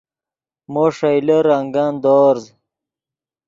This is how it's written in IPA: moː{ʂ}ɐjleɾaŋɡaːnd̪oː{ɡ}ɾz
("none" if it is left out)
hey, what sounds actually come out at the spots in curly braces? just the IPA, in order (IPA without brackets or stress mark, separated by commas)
ʂ, none